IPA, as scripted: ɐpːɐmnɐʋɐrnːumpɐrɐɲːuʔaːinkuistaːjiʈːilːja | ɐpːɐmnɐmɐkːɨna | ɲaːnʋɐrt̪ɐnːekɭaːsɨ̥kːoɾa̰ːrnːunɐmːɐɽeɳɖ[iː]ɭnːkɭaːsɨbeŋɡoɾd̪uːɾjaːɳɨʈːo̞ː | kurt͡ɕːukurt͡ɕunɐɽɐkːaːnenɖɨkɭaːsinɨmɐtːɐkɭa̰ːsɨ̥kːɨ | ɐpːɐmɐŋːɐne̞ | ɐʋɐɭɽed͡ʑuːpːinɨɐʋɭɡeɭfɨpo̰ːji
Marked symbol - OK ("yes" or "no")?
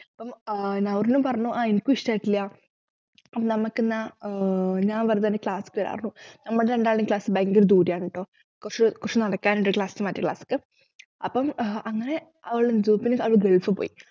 no